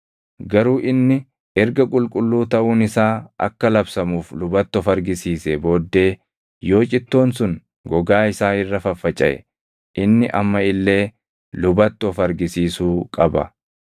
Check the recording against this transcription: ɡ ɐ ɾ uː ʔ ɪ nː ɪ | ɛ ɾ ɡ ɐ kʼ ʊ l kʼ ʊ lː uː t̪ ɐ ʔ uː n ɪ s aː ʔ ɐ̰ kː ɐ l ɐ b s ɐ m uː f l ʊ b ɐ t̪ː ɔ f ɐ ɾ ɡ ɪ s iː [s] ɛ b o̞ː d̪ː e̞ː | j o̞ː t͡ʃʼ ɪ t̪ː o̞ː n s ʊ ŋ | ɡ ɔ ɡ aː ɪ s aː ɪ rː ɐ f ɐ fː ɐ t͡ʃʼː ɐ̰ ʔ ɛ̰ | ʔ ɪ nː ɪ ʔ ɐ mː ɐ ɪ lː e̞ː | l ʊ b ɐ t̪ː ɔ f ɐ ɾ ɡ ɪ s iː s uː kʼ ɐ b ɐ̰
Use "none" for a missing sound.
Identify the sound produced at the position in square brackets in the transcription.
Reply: s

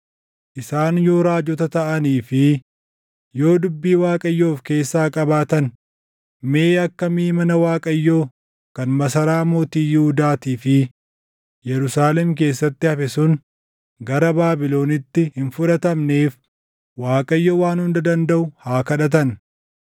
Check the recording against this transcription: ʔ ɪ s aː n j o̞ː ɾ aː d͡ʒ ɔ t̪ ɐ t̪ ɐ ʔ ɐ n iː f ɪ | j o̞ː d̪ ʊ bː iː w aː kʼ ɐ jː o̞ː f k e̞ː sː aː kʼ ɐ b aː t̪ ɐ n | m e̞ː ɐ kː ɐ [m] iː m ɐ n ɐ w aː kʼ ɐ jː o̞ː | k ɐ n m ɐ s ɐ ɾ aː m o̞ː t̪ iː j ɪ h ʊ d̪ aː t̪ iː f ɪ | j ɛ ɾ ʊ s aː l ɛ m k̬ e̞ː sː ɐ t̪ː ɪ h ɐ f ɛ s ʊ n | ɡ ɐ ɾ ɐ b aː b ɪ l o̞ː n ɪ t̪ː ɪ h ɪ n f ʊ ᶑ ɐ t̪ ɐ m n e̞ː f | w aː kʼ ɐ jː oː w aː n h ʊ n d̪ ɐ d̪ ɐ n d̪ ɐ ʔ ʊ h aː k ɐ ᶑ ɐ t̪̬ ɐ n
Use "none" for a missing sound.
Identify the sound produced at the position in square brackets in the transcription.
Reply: m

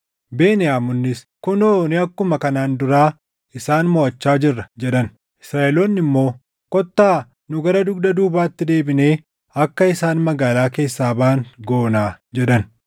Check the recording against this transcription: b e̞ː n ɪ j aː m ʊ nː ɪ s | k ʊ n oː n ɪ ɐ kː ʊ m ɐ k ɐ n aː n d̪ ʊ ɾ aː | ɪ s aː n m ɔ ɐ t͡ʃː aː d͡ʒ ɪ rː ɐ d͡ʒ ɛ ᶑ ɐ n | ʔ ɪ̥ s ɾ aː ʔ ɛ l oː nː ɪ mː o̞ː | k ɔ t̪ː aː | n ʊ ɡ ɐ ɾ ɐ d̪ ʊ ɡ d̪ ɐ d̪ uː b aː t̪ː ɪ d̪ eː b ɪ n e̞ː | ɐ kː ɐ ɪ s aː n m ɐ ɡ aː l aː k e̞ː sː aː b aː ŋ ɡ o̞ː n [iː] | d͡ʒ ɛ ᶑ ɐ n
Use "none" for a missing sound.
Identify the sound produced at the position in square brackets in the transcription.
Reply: aː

